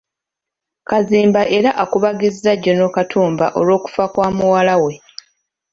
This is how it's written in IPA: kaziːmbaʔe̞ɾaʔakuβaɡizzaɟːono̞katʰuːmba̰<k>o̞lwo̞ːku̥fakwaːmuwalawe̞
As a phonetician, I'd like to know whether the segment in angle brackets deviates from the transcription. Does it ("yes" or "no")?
yes